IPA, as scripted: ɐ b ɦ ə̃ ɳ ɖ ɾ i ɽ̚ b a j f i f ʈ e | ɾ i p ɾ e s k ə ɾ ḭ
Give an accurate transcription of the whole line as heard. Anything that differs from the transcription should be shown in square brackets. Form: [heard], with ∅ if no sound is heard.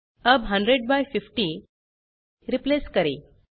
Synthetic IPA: [ə] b ɦ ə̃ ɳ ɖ ɾ [e] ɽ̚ b a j f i f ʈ [i] | ɾ i p [l] e s k ə ɾ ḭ

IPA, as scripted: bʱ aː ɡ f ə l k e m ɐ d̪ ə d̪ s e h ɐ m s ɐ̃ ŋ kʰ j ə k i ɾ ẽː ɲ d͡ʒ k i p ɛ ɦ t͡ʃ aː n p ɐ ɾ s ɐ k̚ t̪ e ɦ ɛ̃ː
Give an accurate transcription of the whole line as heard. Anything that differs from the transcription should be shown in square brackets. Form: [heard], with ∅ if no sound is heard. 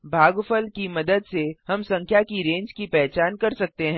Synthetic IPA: bʱ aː ɡ f ə l k [i] m ɐ d̪ ə d̪ s e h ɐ m s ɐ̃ ŋ kʰ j [a] k i ɾ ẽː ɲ d͡ʒ k i p ɛ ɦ t͡ʃ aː n [k] ɐ ɾ s ɐ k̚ t̪ e ɦ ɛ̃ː

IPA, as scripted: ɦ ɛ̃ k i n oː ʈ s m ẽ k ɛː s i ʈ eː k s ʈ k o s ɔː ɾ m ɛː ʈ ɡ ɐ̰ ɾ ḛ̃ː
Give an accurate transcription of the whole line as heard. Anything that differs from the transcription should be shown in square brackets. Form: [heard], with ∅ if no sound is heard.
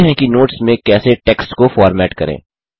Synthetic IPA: ɦ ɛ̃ k i n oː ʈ s m ẽ k ɛː s [e] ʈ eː k s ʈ k o [f] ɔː ɾ m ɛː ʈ [k] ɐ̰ ɾ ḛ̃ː

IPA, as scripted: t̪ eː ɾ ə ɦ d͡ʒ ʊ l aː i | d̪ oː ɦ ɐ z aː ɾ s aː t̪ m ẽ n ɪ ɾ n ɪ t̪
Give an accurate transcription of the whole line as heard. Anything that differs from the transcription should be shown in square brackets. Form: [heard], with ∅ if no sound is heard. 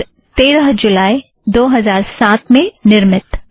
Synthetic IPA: t̪ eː ɾ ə ɦ d͡ʒ ʊ l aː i | d̪ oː ɦ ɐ z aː ɾ s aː t̪ m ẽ n ɪ ɾ [m] ɪ t̪

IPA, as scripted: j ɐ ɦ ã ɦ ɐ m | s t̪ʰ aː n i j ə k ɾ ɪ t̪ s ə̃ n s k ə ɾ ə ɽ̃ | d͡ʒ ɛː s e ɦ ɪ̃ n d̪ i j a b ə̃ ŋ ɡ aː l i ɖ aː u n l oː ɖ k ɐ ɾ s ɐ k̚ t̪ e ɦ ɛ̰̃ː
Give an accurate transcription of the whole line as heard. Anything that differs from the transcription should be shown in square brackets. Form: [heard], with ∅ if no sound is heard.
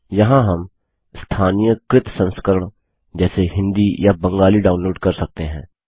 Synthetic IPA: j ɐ ɦ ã ɦ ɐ m | s t̪ʰ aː n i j ə k ɾ ɪ t̪ s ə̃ n s k ə ɾ ə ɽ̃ | d͡ʒ ɛː s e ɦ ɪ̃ n d̪ i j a b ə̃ ŋ ɡ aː l i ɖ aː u n l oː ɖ k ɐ ɾ s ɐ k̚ t̪ e ɦ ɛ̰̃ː

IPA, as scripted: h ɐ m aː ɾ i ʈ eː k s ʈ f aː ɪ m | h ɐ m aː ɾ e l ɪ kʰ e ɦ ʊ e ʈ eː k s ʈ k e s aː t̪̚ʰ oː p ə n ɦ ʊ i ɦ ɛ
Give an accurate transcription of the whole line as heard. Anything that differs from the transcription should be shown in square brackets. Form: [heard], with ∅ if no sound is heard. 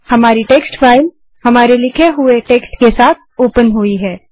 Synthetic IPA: h ɐ m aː ɾ i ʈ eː k s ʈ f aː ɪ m | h ɐ m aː ɾ e l ɪ kʰ e ɦ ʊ e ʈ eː k s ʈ k e s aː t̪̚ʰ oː p ə n ɦ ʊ i ɦ [ɛː]

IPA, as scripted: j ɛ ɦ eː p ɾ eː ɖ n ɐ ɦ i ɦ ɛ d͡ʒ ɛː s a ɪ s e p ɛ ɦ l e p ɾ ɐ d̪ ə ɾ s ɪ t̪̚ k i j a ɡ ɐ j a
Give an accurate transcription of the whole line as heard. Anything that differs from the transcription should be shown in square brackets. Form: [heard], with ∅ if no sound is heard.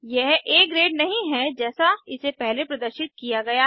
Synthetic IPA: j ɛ ɦ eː [k] ɾ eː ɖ n ɐ ɦ [ĩ] ɦ ɛ d͡ʒ ɛː s a ɪ s e p ɛ ɦ l e p ɾ ɐ d̪ ə ɾ [ʃ] ɪ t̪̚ k i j a ɡ ɐ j a

